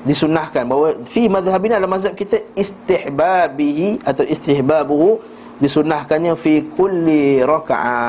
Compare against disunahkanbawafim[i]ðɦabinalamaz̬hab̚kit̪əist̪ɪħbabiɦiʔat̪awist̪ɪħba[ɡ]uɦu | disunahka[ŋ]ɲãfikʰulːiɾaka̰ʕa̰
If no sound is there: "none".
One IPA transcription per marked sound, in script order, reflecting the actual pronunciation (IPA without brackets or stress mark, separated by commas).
a, b, n